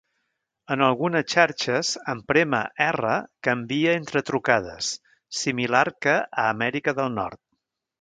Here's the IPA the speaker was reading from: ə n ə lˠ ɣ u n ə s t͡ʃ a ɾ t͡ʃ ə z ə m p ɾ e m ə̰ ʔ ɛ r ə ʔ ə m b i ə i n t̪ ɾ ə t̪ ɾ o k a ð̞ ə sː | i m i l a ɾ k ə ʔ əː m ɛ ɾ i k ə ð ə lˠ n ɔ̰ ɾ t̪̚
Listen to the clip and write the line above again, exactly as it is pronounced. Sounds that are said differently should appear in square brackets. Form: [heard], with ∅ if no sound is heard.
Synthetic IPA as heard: ə n ə lˠ ɣ u n ə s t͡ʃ a ɾ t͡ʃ ə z ə m p ɾ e m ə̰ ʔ ɛ r ə [k] ə m b i ə [e] n t̪ ɾ ə t̪ ɾ [u] k a ð̞ ə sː | i m i l a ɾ k ə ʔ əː m ɛ ɾ i k ə ð ə lˠ n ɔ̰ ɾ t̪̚

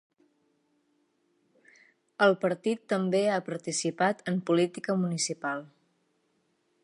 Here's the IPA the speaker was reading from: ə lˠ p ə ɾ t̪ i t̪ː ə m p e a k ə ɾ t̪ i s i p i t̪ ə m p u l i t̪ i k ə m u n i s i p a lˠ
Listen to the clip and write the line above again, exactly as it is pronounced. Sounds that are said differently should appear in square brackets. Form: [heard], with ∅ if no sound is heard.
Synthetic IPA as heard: ə lˠ p ə ɾ t̪ i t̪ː ə m [b] e a [p] ə ɾ t̪ i s i p [a] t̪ ə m p u l i t̪ i k ə m u n i s i p a lˠ

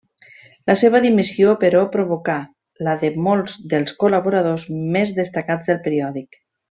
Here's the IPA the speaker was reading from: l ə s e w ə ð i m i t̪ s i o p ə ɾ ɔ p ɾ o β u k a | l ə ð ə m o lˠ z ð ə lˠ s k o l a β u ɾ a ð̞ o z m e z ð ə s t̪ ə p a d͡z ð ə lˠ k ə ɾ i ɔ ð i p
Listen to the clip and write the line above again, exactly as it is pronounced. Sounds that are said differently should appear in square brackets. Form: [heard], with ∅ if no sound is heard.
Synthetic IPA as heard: l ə s e [β] ə ð i m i [∅] s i o p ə ɾ ɔ p ɾ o β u k a | l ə ð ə m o lˠ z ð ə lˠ s k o l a β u ɾ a ð̞ o z m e z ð ə s t̪ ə [k] a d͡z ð ə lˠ [p] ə ɾ i ɔ ð i [k]

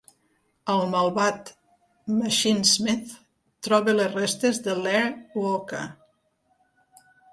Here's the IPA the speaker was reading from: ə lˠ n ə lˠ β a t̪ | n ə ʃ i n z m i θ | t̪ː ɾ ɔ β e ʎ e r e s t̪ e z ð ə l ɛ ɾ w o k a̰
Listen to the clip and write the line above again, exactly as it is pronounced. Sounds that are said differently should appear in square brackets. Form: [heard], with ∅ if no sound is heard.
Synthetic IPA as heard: ə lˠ [m] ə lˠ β a t̪ | [m] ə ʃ i n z m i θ | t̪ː ɾ ɔ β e [l] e r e s t̪ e z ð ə l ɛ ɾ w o k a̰

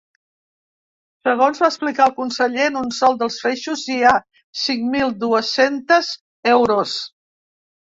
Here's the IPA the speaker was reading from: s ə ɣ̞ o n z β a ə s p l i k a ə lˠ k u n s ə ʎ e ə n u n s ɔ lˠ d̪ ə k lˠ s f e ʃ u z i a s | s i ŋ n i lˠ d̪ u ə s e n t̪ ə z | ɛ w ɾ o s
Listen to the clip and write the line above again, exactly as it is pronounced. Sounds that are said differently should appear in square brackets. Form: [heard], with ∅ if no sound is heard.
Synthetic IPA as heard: s ə ɣ̞ o n z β a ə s p l i k a ə lˠ k u n s ə ʎ e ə n u n s ɔ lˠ d̪ ə [∅] lˠ s f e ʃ u z i a [∅] | s i ŋ [m] i lˠ d̪ u ə s e n t̪ ə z | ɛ w ɾ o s

